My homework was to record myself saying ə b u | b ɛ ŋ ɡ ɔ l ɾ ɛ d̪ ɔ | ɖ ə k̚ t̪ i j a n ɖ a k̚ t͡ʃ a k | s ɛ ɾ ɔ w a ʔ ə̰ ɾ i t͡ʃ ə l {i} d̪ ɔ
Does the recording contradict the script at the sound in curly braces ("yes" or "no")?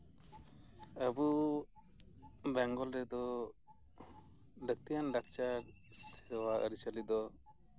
no